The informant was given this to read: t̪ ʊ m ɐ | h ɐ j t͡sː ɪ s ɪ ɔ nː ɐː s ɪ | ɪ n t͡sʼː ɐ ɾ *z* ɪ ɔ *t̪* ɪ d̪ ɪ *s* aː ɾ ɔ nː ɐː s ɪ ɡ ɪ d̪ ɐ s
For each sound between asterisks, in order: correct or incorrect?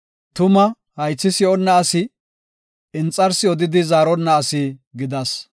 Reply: incorrect, incorrect, incorrect

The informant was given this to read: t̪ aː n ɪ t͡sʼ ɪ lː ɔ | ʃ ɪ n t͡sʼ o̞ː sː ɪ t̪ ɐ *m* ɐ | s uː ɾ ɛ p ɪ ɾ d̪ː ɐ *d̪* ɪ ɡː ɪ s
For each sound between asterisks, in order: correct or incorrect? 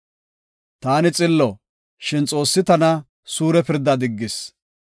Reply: incorrect, correct

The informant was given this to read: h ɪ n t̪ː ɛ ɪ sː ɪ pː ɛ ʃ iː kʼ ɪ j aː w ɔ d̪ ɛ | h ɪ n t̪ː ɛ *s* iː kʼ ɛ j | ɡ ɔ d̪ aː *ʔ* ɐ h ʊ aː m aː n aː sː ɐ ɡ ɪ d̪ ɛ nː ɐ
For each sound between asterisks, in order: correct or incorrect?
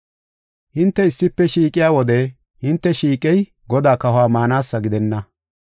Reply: incorrect, incorrect

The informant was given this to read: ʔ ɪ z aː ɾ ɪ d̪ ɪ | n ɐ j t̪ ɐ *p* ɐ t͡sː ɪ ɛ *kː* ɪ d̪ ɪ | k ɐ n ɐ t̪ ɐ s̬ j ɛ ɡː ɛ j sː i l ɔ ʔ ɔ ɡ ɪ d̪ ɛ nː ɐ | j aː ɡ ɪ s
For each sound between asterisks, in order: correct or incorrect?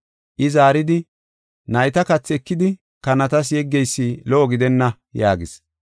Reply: incorrect, correct

